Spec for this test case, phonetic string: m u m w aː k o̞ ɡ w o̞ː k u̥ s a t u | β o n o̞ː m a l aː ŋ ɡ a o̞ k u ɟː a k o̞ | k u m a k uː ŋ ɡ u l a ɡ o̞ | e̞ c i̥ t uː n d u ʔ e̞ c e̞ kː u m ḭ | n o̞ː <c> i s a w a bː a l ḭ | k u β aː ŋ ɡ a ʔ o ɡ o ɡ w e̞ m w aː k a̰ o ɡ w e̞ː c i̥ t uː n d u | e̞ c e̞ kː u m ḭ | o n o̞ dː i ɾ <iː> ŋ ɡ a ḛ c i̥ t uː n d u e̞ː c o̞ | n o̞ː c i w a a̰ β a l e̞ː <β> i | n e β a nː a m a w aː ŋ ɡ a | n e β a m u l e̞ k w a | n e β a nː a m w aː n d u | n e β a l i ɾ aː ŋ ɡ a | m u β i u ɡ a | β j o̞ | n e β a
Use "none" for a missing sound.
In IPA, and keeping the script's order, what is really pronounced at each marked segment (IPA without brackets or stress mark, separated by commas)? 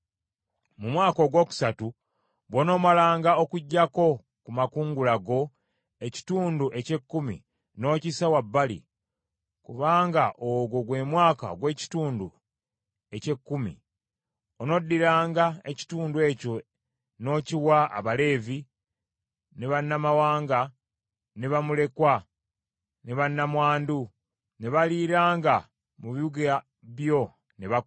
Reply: c, aː, v